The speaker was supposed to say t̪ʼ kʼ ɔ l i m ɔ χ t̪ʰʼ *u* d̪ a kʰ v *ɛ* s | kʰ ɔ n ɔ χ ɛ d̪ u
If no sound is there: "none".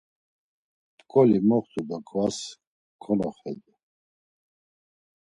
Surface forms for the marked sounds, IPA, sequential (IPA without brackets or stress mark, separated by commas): u, a